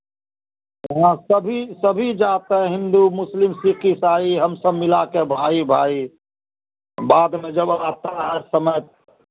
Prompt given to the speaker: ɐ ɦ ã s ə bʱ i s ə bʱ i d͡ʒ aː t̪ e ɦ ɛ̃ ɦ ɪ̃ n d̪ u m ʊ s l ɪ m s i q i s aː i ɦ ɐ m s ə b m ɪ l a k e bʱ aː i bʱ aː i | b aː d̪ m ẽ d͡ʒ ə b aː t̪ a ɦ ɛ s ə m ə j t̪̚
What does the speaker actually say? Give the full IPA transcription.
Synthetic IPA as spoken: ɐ ɦ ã s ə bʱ i s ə bʱ i d͡ʒ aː t̪ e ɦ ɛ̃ ɦ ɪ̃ n d̪ u m ʊ s l ɪ m s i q i s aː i ɦ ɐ m s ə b m ɪ l a k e bʱ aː i bʱ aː i | b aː d̪ m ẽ d͡ʒ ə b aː t̪ a ɦ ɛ s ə m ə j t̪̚

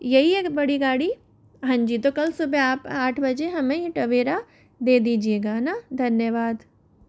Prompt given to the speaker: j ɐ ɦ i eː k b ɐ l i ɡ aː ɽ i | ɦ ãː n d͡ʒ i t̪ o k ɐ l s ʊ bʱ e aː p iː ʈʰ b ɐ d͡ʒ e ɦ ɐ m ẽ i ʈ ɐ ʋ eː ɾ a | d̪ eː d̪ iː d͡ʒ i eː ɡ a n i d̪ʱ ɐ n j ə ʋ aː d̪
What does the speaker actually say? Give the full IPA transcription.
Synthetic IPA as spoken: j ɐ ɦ i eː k b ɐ ɽ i ɡ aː ɽ i | ɦ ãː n d͡ʒ i t̪ o k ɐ l s ʊ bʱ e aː p aː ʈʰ b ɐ d͡ʒ e ɦ ɐ m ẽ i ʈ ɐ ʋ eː ɾ a | d̪ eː d̪ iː d͡ʒ i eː ɡ a n a d̪ʱ ɐ n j ə ʋ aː d̪

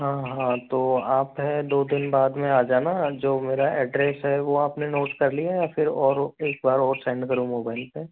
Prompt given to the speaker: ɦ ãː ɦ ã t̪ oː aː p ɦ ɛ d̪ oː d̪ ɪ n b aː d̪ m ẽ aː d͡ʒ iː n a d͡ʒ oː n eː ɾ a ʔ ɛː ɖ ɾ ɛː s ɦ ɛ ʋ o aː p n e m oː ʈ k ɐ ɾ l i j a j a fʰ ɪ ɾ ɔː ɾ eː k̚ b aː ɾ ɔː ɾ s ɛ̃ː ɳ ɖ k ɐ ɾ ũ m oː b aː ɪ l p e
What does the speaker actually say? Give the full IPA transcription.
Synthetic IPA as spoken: ɦ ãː ɦ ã t̪ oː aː p ɦ ɛ d̪ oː d̪ ɪ n b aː d̪ m ẽ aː d͡ʒ aː n a d͡ʒ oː m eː ɾ a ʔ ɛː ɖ ɾ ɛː s ɦ ɛ ʋ o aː p n e n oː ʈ k ɐ ɾ l i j a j a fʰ ɪ ɾ ɔː ɾ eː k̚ b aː ɾ ɔː ɾ s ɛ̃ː ɳ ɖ k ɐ ɾ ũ m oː b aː ɪ l p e

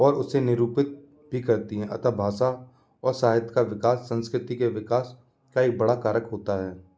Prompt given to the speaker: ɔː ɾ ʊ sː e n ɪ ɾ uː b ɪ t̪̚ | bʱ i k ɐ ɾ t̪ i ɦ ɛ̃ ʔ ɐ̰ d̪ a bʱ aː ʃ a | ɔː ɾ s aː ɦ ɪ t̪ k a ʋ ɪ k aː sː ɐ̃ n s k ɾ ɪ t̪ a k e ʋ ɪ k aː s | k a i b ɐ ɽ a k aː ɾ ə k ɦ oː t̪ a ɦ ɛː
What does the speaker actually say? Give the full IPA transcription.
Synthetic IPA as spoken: ɔː ɾ ʊ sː e n ɪ ɾ uː p ɪ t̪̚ | bʱ i k ɐ ɾ t̪ i ɦ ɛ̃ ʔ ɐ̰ t̪ a bʱ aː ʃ a | ɔː ɾ s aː ɦ ɪ t̪ k a ʋ ɪ k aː sː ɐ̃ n s k ɾ ɪ t̪ i k e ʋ ɪ k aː s | k a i b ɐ ɽ a k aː ɾ ə k ɦ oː t̪ a ɦ ɛː

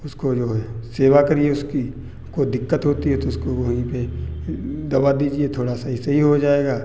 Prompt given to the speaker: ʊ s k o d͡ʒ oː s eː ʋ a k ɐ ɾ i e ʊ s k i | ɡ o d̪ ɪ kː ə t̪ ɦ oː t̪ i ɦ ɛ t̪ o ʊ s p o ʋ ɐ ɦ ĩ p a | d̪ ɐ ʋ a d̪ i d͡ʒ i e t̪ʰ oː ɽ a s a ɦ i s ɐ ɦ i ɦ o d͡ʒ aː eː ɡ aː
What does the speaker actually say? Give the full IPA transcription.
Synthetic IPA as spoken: ʊ s k o d͡ʒ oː s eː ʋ a k ɐ ɾ i e ʊ s k i | k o d̪ ɪ kː ə t̪ ɦ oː t̪ i ɦ ɛ t̪ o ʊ s k o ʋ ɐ ɦ ĩ p e | d̪ ɐ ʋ a d̪ iː d͡ʒ i e t̪ʰ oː ɽ a s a ɦ i s ɐ ɦ i ɦ o d͡ʒ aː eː ɡ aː

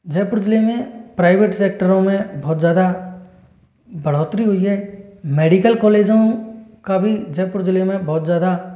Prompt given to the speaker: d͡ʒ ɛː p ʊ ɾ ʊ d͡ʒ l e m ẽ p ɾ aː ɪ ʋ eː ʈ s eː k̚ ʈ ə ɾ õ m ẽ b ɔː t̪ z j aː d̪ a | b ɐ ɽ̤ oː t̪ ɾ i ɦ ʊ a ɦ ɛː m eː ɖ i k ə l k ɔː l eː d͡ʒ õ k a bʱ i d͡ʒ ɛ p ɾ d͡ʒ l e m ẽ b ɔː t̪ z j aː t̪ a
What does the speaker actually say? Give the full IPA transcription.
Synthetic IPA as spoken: d͡ʒ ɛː p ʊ ɾ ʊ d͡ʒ l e m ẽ p ɾ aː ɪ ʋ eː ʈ s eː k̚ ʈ ə ɾ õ m ẽ b ɔː t̪ z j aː d̪ a | b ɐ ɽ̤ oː t̪ ɾ i ɦ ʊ i ɦ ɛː m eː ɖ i k ə l k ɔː l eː d͡ʒ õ k a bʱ i d͡ʒ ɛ p ɾ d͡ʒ l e m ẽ b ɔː t̪ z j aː d̪ a

